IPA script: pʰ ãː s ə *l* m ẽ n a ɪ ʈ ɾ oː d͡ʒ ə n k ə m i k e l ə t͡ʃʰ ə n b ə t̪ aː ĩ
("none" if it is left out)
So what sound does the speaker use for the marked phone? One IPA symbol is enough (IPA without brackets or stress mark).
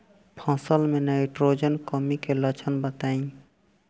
l